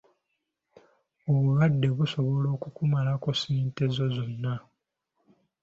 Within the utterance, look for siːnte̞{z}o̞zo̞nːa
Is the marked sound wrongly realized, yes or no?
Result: no